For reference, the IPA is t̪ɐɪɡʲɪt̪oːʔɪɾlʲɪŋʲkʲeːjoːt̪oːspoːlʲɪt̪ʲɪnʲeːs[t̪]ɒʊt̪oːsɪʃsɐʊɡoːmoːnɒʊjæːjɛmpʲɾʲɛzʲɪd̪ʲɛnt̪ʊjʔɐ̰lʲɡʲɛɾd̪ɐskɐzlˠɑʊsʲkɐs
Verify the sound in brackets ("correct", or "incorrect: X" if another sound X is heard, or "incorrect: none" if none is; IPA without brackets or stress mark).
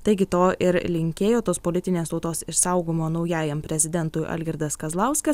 correct